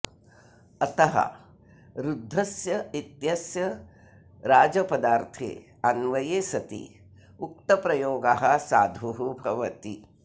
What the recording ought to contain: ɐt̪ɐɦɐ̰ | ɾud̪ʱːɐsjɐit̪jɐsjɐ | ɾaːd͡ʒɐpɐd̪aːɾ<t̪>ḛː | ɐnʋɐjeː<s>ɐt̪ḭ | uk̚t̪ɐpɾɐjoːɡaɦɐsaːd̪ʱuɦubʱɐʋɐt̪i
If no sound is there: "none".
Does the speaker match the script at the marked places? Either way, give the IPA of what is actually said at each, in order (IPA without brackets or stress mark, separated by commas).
t̪ʰ, s